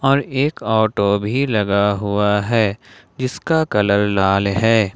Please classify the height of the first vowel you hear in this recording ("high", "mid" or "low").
mid